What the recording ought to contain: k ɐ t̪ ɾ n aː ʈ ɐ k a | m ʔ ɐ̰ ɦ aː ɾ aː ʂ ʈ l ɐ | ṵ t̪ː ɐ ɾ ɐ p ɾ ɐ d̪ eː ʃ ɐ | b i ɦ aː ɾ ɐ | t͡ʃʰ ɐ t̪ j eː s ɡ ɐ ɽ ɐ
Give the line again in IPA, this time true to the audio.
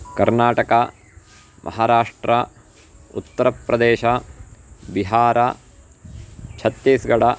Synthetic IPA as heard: k ɐ ɾ n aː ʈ ɐ k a | m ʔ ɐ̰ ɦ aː ɾ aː ʂ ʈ ɾ ɐ | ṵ t̪ː ɐ ɾ ɐ p ɾ ɐ d̪ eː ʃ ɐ | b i ɦ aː ɾ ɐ | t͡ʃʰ ɐ t̪ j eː s ɡ ɐ ɽ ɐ